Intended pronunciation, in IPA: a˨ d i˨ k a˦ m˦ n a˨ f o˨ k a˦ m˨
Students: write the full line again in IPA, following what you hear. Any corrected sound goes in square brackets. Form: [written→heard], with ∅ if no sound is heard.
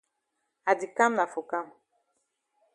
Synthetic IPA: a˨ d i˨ k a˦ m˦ n a˨ f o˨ k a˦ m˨